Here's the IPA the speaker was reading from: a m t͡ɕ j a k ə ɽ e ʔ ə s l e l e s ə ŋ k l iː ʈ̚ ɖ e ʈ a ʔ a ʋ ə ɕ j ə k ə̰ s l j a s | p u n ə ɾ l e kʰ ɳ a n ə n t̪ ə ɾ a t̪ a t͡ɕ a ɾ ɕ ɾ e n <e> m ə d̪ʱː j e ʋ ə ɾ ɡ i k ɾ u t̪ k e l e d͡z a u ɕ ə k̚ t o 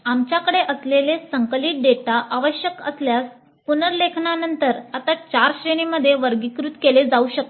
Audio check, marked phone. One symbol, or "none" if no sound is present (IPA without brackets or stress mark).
i